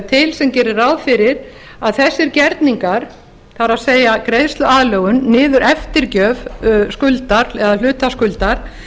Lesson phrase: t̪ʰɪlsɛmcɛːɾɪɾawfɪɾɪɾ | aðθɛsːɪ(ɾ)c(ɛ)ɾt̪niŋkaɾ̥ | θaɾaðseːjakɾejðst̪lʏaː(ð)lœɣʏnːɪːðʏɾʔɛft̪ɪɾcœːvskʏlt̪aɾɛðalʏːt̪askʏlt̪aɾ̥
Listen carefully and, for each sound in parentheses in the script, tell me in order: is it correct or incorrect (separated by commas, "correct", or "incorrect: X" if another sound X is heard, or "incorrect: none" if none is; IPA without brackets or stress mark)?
correct, correct, correct